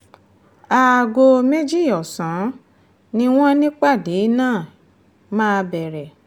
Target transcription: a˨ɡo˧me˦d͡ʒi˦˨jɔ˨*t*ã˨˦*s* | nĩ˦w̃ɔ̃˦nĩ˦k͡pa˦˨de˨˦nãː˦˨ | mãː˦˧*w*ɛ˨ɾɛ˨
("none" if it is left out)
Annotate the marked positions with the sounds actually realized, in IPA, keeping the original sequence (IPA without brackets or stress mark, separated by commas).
s, none, b